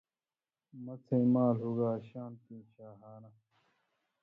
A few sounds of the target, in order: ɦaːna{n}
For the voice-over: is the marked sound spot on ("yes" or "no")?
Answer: no